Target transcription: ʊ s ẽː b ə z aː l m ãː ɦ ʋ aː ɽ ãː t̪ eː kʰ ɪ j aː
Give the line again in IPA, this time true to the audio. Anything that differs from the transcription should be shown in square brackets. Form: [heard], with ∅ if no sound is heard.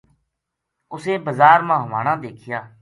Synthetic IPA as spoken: ʊ s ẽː b ə z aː [ɾ] m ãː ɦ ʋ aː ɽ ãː [d̪] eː kʰ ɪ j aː